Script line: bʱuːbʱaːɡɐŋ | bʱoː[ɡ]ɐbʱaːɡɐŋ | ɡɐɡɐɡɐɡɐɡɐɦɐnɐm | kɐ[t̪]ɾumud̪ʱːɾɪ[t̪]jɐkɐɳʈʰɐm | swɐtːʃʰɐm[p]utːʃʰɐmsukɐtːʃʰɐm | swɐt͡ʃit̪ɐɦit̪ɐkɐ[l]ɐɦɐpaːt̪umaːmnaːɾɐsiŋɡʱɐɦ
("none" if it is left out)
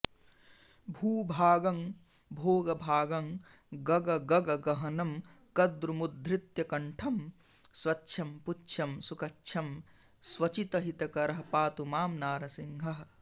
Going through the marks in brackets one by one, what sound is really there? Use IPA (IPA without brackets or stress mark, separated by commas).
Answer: ɡ, d̪, t̪, p, ɾ